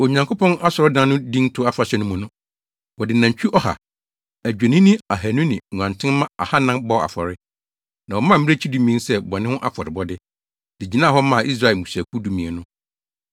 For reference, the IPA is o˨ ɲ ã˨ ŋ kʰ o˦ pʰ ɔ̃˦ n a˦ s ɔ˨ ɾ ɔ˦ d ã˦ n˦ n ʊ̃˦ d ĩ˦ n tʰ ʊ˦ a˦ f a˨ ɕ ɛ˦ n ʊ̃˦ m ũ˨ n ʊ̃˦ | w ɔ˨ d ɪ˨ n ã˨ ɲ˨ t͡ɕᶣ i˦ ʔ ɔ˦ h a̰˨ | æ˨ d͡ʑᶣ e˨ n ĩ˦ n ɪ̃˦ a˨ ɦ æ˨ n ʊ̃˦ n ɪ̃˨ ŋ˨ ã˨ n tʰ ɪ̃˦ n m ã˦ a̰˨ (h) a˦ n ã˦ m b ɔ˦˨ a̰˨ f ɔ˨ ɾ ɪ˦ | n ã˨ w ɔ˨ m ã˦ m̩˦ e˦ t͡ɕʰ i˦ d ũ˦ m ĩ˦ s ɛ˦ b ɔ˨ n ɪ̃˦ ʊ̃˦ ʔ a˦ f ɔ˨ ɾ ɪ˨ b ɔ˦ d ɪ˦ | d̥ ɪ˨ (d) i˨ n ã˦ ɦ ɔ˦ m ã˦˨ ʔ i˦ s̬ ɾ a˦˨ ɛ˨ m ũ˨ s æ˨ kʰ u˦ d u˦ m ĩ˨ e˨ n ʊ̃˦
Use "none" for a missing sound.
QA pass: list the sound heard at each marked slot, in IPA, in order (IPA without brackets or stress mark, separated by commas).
h, d͡ʑ